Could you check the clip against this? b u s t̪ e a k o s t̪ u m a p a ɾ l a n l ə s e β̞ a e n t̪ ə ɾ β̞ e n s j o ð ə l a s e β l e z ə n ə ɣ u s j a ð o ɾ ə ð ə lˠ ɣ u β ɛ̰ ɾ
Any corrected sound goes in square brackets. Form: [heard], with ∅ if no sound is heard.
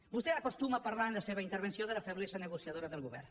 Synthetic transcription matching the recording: b u s t̪ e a k o s t̪ u m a p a ɾ l a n l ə s e β̞ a [i] n t̪ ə ɾ β̞ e n s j o ð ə l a [f] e β l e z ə n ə ɣ u s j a ð o ɾ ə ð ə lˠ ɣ u β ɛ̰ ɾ